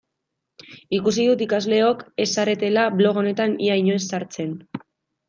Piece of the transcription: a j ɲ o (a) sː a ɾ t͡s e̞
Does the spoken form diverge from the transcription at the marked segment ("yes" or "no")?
yes